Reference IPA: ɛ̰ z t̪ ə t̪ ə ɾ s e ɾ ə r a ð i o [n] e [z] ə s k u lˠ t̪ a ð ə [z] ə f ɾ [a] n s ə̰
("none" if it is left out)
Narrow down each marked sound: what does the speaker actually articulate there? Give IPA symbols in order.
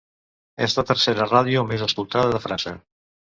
m, z, ð, a

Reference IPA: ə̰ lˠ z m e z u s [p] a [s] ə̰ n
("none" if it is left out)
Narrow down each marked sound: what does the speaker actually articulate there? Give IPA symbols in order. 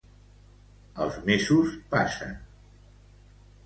p, s

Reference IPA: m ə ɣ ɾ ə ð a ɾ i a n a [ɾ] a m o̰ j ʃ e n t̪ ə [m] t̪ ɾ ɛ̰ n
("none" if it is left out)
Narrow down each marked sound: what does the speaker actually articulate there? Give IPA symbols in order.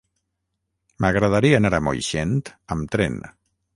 ɾ, m

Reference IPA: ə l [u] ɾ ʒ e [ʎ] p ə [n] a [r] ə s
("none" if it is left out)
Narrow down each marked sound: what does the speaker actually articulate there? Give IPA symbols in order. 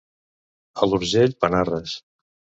u, ʎ, n, r

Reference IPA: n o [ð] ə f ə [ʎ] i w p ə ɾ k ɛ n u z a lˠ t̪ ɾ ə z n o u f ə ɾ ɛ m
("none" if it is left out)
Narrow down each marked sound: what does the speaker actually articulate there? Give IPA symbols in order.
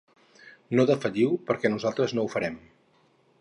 ð, ʎ

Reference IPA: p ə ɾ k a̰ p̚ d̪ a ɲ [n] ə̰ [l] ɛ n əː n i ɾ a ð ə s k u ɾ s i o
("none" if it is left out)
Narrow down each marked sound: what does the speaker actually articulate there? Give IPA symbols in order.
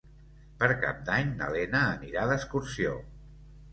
n, l

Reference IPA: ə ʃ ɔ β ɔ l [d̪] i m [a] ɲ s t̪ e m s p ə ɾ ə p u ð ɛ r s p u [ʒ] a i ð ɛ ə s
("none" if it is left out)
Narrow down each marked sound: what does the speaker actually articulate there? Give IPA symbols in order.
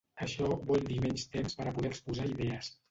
d̪, ɛ, z

